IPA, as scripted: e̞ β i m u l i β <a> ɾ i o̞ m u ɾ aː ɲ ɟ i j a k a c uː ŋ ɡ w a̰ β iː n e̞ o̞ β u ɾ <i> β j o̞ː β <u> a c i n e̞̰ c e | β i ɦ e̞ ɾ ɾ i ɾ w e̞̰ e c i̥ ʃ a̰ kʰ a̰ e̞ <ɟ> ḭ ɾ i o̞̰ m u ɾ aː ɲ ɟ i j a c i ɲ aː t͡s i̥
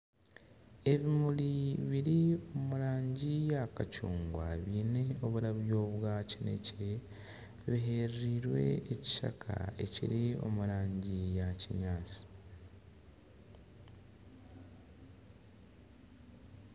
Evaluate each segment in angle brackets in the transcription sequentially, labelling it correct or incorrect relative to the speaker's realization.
incorrect: i, incorrect: a, incorrect: w, incorrect: c

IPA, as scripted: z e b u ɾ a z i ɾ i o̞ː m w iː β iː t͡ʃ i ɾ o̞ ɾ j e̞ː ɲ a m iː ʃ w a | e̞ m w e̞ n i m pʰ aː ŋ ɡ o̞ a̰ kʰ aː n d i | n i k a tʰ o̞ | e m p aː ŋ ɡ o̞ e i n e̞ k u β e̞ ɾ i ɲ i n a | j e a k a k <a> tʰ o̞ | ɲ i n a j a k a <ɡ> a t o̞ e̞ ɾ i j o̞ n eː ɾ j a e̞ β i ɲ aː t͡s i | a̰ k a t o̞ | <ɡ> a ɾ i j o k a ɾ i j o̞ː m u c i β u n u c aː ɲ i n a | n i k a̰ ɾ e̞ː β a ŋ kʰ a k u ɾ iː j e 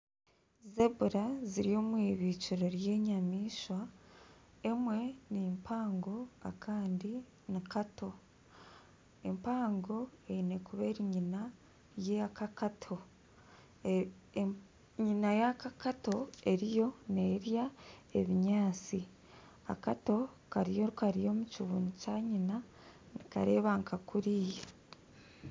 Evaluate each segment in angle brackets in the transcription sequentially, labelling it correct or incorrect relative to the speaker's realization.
correct, incorrect: k, incorrect: k

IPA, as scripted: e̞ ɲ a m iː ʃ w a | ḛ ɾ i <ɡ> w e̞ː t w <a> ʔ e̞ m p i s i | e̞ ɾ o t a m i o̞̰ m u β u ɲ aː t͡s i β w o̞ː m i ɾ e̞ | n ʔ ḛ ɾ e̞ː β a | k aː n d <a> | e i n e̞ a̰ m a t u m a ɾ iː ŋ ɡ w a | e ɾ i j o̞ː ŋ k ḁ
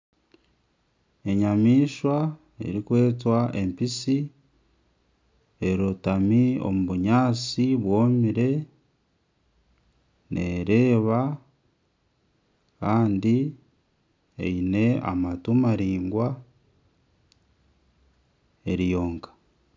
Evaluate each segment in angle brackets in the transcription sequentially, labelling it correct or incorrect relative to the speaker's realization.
incorrect: k, correct, incorrect: i

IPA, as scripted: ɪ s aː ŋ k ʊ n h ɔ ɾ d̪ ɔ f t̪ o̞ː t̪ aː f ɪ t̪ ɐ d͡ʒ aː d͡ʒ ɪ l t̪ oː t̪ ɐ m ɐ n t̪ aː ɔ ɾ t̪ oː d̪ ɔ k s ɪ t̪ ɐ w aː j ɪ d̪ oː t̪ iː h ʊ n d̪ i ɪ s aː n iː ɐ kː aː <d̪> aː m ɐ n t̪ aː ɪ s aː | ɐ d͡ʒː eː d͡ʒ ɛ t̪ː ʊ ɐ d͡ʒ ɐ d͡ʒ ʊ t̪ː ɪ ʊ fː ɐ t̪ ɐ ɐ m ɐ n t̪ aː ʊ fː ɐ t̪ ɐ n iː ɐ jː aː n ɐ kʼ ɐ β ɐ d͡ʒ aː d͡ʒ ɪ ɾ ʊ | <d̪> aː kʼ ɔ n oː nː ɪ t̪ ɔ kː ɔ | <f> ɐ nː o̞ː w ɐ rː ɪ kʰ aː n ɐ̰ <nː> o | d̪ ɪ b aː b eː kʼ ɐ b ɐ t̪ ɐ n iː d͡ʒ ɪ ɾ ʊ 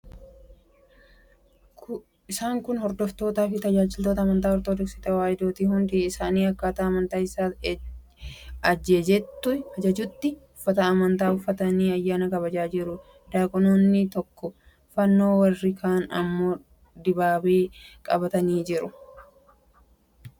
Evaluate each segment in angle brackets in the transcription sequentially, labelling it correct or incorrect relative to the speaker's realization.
incorrect: t̪, correct, correct, incorrect: mː

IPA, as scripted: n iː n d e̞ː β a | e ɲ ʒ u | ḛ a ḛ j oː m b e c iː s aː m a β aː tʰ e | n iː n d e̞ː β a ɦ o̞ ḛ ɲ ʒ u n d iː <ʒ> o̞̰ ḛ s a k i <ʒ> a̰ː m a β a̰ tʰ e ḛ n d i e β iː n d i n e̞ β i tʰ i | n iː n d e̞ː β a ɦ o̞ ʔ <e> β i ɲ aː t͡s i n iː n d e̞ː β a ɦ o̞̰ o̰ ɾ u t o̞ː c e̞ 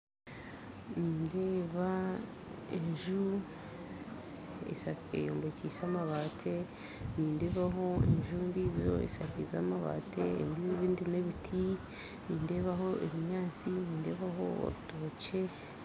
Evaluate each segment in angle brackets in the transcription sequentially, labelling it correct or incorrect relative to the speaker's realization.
incorrect: z, incorrect: z, correct

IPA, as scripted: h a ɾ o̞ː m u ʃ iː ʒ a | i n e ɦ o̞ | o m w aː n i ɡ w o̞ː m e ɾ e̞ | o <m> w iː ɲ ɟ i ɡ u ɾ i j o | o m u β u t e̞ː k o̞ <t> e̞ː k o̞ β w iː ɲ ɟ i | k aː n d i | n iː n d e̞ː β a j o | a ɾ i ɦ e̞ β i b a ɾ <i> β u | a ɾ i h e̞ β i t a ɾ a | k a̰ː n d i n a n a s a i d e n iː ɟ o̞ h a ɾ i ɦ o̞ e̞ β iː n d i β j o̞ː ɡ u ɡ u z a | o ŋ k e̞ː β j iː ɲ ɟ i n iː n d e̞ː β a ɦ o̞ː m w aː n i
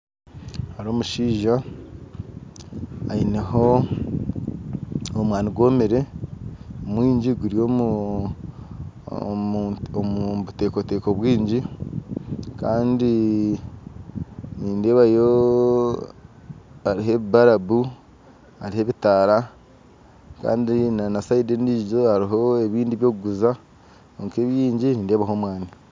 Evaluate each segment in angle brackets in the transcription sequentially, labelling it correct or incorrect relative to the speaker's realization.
correct, correct, incorrect: a

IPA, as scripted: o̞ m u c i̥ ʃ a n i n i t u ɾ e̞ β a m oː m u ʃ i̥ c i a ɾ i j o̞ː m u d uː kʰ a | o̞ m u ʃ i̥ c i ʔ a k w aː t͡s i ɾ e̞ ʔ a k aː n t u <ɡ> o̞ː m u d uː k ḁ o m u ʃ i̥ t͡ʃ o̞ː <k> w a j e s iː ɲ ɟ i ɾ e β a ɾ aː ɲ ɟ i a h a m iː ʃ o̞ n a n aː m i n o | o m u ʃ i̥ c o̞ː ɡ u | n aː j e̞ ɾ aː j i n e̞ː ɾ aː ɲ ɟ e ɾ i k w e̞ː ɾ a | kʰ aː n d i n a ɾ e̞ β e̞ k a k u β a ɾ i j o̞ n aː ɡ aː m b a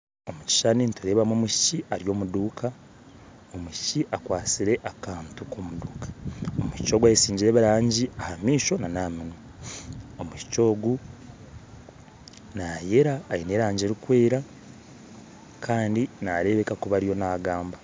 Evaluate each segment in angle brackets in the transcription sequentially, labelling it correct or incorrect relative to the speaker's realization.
incorrect: k, incorrect: ɡ

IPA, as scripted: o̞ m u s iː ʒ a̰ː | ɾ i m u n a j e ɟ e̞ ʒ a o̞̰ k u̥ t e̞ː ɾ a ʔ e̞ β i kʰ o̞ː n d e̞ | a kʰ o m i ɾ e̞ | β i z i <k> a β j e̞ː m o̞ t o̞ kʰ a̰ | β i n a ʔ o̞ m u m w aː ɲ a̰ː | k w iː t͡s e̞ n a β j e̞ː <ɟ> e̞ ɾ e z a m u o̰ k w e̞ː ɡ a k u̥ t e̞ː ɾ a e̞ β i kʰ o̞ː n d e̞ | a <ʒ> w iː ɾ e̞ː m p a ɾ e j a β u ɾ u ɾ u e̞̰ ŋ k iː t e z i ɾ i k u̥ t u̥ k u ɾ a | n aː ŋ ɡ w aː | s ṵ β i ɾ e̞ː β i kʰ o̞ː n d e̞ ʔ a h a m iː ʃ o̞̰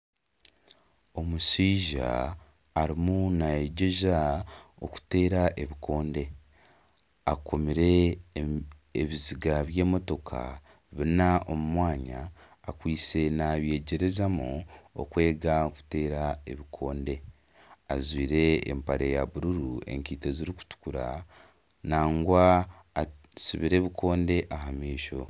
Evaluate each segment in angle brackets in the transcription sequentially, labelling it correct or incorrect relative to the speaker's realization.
incorrect: ɡ, correct, incorrect: z

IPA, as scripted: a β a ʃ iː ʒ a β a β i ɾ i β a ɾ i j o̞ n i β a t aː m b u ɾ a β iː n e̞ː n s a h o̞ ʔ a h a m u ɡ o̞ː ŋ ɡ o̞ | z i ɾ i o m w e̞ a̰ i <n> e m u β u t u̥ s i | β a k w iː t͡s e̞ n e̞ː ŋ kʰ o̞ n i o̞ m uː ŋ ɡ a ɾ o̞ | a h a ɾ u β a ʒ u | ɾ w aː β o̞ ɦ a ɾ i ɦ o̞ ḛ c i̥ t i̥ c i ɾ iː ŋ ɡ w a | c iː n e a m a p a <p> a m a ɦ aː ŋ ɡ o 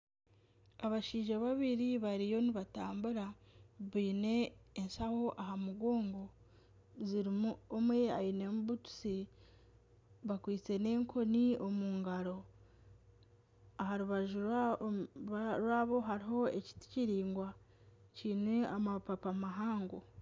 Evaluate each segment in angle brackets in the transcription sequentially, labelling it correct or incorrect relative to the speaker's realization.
correct, correct

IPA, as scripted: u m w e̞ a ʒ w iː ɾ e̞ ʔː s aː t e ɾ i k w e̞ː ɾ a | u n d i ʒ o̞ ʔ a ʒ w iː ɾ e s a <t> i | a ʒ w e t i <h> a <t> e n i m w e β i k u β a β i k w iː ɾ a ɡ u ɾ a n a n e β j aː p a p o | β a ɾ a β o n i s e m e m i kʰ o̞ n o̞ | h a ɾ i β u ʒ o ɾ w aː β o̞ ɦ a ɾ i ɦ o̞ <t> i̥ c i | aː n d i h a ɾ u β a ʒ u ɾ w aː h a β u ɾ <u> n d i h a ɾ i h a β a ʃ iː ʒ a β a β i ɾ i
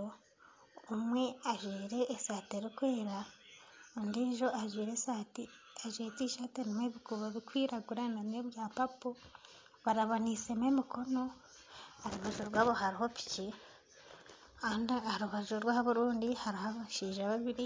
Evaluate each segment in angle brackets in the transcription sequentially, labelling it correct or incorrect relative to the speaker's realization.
correct, incorrect: ʃ, correct, incorrect: p, incorrect: uː

